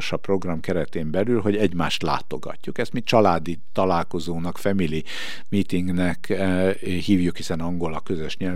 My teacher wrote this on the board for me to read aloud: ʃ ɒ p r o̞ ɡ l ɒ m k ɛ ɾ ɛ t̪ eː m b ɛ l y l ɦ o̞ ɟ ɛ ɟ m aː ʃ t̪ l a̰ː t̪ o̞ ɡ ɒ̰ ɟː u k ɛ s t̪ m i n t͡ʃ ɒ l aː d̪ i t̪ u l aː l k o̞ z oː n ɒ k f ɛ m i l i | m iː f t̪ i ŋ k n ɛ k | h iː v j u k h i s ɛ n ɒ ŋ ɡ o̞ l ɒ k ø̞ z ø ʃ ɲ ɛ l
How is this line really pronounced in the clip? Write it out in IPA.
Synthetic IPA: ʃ ɒ p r o̞ ɡ r ɒ m k ɛ ɾ ɛ t̪ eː m b ɛ l y l ɦ o̞ ɟ ɛ ɟ m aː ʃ t̪ l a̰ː t̪ o̞ ɡ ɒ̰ cː u k ɛ s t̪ m i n t͡ʃ ɒ l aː d̪ i t̪ ɒ l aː l k o̞ z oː n ɒ k f ɛ m i l i | m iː t̪ i ŋ ɡ n ɛ k | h iː v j u k h i s ɛ n ɒ ŋ ɡ o̞ l ɒ k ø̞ z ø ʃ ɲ ɛ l